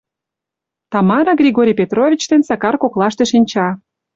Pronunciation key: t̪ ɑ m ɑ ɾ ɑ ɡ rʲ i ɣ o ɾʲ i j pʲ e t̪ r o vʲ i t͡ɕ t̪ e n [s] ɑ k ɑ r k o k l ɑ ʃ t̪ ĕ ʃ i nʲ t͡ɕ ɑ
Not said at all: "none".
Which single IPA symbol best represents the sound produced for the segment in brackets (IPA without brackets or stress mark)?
s